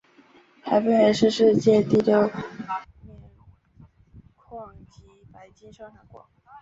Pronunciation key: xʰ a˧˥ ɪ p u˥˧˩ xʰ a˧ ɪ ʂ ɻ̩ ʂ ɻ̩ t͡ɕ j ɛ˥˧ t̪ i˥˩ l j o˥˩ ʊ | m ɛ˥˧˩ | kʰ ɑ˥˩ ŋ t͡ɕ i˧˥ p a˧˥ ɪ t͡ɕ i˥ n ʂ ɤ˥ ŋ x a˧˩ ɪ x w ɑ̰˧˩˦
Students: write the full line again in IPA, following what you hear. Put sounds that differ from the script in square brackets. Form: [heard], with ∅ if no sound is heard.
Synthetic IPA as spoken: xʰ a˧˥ ɪ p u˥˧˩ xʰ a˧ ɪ ʂ ɻ̩ ʂ ɻ̩ t͡ɕ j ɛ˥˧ t̪ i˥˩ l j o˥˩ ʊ | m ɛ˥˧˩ | kʰ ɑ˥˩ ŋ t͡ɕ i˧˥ p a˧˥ ɪ t͡ɕ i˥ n ʂ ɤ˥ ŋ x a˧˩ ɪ [k] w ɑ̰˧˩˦